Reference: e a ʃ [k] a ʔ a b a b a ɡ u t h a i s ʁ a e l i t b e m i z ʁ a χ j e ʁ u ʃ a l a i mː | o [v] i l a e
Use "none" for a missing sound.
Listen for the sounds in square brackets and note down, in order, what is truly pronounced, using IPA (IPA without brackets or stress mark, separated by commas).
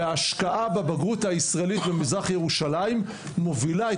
k, v